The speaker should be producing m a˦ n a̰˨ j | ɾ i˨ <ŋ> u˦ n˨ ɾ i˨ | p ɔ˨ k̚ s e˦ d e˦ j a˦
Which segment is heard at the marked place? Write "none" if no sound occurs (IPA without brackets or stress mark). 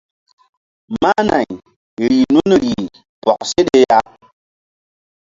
n